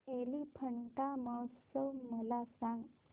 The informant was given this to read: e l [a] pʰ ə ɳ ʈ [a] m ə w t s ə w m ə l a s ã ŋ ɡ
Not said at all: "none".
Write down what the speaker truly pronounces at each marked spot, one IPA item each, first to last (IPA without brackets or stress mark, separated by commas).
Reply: i, a